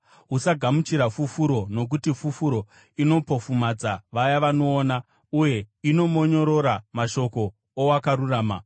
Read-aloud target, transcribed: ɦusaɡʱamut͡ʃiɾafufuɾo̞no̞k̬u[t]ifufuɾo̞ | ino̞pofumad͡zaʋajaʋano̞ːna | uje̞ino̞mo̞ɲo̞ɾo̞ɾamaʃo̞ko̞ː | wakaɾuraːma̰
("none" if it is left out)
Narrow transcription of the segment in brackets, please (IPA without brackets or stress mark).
t